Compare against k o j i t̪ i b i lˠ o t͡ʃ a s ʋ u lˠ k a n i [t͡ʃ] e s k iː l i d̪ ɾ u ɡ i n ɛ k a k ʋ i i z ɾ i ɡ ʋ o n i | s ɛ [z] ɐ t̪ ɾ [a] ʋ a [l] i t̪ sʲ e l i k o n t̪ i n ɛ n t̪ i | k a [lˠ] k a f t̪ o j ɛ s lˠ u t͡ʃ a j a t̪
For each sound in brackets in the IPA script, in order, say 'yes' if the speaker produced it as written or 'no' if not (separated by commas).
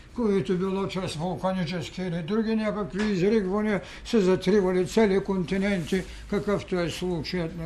yes, yes, no, yes, no